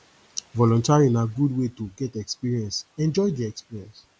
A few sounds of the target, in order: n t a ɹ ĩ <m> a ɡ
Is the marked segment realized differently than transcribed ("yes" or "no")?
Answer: yes